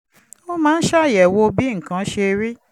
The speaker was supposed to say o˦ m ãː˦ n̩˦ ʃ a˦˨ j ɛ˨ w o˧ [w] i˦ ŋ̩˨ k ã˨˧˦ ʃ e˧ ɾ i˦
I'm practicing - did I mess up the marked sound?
yes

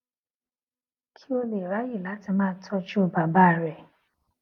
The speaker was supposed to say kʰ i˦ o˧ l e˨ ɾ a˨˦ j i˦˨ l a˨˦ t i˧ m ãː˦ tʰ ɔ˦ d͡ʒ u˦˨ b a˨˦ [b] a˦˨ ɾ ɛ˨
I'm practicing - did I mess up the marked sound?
no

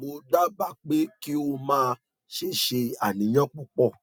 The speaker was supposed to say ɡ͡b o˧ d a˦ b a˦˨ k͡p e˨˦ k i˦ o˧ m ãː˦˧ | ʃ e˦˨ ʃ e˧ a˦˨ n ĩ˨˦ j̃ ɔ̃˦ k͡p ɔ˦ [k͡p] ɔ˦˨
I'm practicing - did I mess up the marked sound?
no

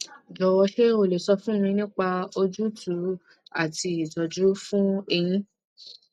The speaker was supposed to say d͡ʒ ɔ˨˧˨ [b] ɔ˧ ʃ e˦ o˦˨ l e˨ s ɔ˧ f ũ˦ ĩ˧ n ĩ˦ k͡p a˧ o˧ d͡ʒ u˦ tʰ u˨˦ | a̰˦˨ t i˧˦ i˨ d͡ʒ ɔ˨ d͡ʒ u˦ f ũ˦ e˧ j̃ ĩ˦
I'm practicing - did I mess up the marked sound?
yes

